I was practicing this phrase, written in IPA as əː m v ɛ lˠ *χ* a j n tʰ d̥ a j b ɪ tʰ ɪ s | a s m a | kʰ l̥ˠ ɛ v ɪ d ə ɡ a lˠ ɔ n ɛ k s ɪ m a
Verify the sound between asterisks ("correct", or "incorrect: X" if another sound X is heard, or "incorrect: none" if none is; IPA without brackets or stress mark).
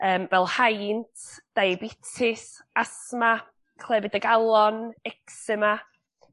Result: incorrect: h